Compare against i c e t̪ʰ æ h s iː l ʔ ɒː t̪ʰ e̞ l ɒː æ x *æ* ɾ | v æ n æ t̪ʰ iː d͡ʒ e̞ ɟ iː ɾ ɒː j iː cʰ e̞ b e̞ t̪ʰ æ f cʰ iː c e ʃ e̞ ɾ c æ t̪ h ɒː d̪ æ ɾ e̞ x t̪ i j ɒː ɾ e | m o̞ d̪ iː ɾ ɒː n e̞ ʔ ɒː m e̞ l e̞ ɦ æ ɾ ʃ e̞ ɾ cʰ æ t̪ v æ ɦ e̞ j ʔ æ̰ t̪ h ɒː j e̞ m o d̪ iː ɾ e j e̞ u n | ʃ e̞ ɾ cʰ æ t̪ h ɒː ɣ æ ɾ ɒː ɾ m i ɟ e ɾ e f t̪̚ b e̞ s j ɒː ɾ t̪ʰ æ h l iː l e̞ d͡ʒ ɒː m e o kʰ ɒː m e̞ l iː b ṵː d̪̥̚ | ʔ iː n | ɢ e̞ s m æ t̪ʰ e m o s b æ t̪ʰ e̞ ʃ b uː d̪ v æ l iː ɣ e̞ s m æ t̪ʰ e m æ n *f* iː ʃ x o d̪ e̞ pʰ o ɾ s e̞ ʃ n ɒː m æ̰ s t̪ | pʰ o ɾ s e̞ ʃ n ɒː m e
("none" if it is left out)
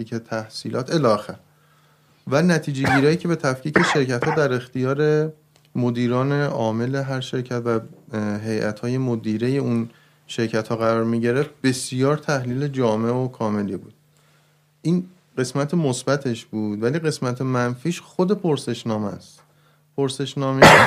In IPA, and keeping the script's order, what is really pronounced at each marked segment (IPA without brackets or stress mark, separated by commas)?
æ, f